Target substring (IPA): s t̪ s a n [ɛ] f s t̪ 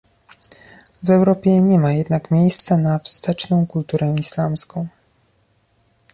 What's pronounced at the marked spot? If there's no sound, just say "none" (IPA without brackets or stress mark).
a